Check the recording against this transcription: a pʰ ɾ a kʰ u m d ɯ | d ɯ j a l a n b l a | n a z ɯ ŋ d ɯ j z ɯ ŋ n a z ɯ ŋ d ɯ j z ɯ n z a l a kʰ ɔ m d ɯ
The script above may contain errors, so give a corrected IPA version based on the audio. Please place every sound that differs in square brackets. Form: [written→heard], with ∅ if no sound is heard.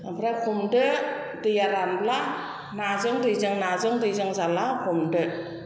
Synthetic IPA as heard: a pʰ ɾ a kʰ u m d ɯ | d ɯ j a [l→ɾ] a n b l a | n a z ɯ ŋ d ɯ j z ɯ ŋ n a z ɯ ŋ d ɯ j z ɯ [n→ŋ] z a l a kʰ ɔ m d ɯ